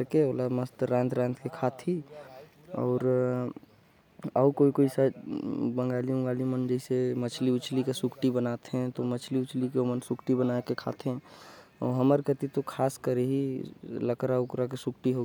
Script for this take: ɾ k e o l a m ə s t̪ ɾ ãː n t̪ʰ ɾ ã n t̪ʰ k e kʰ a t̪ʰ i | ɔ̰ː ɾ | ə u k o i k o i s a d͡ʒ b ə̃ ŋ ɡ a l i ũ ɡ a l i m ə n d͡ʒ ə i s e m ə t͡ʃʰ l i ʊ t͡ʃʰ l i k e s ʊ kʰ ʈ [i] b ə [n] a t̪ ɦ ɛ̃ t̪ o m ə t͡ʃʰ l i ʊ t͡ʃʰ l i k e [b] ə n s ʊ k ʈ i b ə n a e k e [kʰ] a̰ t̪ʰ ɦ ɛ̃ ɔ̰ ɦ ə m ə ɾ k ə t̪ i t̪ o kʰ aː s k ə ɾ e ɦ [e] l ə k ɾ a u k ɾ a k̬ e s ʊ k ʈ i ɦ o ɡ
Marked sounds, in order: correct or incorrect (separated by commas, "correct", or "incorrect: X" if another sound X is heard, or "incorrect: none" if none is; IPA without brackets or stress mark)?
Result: correct, correct, incorrect: m, correct, incorrect: i